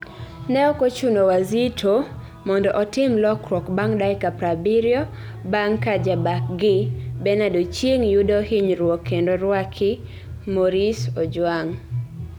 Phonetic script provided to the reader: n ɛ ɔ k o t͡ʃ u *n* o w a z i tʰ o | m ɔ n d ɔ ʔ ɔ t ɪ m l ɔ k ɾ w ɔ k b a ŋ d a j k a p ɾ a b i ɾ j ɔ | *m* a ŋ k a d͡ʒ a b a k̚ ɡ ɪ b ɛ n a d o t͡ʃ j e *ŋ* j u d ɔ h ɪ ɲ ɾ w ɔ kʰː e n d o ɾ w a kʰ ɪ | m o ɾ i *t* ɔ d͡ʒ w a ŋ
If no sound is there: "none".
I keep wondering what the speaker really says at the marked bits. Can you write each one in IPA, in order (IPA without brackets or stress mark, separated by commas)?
n, b, ŋ, s